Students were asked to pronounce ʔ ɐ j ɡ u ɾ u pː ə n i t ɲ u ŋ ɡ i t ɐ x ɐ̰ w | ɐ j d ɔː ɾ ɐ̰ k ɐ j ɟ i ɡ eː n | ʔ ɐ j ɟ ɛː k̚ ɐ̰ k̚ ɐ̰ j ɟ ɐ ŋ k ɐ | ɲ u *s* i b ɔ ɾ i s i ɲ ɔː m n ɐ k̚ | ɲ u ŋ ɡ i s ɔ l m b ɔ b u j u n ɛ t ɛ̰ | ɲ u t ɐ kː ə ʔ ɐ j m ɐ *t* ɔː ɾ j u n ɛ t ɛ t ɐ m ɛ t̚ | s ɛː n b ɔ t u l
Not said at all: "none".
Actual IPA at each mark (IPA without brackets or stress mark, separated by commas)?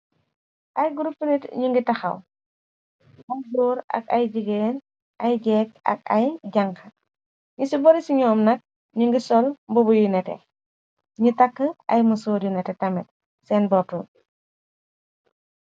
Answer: s, s